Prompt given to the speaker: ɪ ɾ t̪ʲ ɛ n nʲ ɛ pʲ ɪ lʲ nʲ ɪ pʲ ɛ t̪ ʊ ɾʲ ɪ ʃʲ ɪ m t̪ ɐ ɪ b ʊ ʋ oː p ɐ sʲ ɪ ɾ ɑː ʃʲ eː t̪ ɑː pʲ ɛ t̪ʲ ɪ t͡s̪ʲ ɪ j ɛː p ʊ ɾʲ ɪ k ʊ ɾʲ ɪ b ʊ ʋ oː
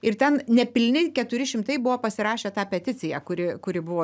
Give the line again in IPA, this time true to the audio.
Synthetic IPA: ɪ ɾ t̪ʲ ɛ n nʲ ɛ pʲ ɪ lʲ nʲ ɪ kʲ ɛ t̪ ʊ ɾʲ ɪ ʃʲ ɪ m t̪ ɐ ɪ b ʊ ʋ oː p ɐ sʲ ɪ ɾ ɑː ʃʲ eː t̪ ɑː pʲ ɛ t̪ʲ ɪ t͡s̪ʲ ɪ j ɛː k ʊ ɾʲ ɪ k ʊ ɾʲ ɪ b ʊ ʋ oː